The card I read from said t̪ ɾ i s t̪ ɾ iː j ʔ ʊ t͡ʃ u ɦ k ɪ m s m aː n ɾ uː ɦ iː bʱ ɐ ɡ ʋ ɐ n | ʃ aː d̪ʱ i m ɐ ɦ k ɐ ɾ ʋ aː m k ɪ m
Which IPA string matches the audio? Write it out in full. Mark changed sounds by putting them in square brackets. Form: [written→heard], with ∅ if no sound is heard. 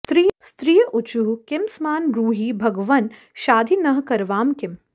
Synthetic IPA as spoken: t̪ ɾ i s t̪ ɾ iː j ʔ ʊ t͡ʃ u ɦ k ɪ m s m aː n ɾ uː ɦ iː bʱ ɐ ɡ ʋ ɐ n | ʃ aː d̪ʱ i [m→n] ɐ ɦ k ɐ ɾ ʋ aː m k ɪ m